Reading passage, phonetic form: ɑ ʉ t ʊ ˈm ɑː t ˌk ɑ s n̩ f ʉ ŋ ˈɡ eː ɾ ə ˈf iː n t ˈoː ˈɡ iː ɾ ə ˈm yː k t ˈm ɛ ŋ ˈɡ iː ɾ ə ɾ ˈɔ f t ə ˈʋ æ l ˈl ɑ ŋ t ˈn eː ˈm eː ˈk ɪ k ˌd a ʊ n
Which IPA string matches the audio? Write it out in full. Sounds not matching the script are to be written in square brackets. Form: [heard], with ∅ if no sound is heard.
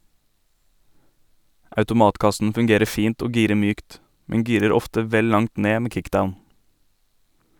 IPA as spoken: ɑ ʉ t ʊ ˈm ɑː t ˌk ɑ s n̩ f ʉ ŋ ˈɡ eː ɾ ə ˈf iː n t ˈoː ˈɡ iː ɾ ə ˈm yː k t ˈm ɛ ŋ ˈɡ iː ɾ ə ɾ ˈɔ f t ə ˈʋ [ɛ] l ˈl ɑ ŋ t ˈn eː ˈm eː ˈk ɪ k ˌd a ʊ n